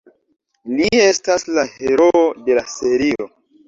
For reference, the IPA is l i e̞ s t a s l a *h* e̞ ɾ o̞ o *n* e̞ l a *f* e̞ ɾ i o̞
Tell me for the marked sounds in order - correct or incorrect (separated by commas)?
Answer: correct, incorrect, incorrect